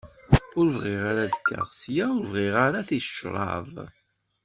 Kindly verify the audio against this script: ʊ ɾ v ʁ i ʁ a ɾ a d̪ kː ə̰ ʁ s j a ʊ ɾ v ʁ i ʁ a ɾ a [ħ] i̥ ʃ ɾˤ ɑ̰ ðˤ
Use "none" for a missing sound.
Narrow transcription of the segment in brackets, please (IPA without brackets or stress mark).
θ